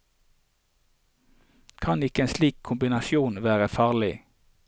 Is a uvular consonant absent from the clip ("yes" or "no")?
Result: no